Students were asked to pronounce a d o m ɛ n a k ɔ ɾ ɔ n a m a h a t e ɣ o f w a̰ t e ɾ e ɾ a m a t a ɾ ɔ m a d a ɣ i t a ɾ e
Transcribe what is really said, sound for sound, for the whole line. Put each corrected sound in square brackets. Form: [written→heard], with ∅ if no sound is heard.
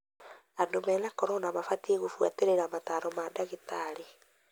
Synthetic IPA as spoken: a d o m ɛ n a k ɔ ɾ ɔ n a m a [h→f] a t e ɣ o f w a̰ t e ɾ e ɾ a m a t a ɾ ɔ m a d a ɣ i t a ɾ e